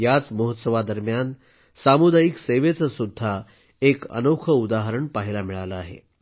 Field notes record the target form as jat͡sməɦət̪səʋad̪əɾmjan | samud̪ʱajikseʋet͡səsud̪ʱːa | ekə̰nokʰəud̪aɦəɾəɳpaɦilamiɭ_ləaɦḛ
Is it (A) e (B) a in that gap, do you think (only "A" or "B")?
B